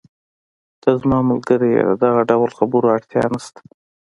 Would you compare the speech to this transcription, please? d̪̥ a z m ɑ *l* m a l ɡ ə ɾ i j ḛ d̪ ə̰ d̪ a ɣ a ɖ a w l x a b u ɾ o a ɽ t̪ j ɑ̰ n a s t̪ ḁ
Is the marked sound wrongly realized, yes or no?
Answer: yes